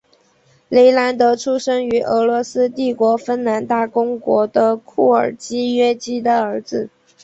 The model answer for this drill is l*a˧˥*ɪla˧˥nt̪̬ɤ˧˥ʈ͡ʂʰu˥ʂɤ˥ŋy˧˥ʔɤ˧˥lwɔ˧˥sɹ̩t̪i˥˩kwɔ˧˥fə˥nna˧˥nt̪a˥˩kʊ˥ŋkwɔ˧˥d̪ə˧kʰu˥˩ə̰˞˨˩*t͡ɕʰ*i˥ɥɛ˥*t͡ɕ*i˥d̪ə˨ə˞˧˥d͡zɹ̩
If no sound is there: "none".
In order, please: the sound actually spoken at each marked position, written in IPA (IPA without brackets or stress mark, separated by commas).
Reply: e˧˥, t͡ɕ, t͡ɕ